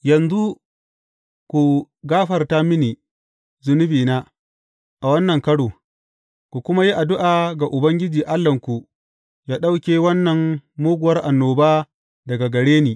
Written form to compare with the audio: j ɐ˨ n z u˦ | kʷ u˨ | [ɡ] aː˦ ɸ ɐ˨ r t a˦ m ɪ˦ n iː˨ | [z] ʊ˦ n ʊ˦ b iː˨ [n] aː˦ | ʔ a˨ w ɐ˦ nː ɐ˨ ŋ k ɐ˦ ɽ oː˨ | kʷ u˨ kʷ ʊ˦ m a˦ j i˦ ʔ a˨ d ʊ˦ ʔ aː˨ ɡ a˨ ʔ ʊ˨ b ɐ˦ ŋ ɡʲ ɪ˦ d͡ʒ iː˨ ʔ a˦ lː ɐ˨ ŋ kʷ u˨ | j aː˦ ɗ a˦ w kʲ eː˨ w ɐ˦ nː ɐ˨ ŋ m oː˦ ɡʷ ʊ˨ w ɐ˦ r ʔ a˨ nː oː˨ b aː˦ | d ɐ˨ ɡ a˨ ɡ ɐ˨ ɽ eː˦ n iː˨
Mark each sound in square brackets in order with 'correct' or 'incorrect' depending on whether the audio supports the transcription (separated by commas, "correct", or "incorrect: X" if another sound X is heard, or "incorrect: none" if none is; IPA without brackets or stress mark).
correct, correct, correct